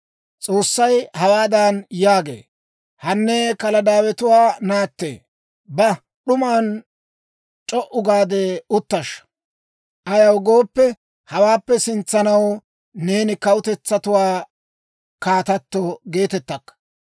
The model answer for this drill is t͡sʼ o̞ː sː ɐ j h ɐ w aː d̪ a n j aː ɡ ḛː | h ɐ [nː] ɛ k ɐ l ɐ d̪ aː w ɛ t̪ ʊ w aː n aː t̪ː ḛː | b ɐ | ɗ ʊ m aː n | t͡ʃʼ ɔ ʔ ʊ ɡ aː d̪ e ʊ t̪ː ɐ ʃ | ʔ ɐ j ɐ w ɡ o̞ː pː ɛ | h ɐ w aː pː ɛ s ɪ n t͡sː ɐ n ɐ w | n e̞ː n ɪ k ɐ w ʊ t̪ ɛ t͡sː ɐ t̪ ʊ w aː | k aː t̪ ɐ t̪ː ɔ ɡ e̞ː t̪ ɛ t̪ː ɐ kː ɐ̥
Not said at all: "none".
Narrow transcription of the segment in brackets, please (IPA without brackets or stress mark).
nː